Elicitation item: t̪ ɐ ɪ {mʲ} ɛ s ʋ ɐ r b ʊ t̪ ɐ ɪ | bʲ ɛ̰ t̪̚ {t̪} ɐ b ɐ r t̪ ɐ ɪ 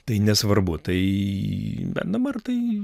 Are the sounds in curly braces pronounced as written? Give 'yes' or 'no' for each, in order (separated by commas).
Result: no, no